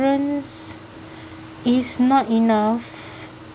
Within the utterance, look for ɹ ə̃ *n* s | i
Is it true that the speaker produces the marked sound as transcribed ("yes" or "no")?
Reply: yes